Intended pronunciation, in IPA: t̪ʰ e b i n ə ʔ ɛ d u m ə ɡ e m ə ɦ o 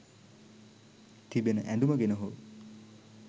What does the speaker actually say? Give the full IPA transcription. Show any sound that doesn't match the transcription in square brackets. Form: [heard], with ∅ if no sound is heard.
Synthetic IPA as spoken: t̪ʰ [i] b [e] n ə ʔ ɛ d u m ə ɡ e [n] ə ɦ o